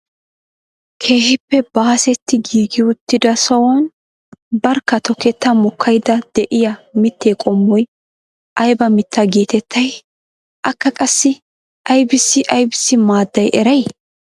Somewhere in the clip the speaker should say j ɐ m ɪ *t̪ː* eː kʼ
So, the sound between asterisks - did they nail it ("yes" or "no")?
yes